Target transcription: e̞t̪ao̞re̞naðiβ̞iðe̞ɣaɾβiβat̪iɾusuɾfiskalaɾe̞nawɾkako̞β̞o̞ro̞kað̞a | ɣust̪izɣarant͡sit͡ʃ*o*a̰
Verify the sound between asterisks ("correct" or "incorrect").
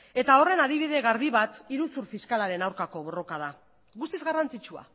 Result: incorrect